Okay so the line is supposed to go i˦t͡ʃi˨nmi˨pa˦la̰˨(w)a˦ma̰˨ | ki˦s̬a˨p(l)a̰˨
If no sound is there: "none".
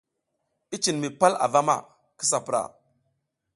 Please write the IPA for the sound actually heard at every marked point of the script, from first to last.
v, ɾ

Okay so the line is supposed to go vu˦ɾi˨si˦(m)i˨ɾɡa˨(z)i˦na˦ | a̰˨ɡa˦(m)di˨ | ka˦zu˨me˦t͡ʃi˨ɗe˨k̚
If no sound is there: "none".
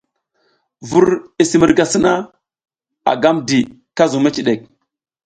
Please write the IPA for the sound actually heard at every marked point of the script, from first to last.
m, s, m

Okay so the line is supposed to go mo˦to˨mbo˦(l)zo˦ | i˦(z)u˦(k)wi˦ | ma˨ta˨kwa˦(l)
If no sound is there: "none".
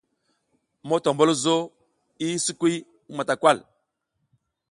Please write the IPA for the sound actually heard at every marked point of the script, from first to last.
l, s, k, l

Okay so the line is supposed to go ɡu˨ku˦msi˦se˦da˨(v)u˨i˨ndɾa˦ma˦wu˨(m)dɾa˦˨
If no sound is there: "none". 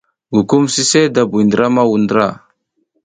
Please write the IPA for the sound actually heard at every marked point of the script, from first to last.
b, n

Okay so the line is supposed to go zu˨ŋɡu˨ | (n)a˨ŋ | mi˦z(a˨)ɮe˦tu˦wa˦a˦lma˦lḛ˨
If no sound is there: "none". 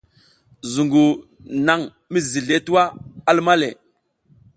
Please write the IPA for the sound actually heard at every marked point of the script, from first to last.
n, i˨

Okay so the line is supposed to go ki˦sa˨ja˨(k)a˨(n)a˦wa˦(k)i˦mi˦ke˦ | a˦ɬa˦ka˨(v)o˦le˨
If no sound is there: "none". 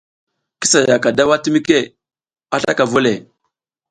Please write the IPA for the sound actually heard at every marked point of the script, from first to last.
k, d, t, v

